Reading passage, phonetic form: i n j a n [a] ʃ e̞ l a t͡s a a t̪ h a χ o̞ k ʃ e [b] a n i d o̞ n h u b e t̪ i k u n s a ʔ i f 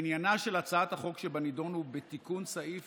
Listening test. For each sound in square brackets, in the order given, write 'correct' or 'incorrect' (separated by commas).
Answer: correct, correct